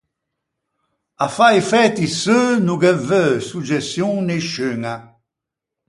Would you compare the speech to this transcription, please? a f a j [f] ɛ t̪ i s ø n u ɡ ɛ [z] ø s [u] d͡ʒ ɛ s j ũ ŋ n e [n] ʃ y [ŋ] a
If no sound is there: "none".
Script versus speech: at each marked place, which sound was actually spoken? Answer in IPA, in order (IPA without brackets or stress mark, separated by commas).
f, v, u, none, ŋ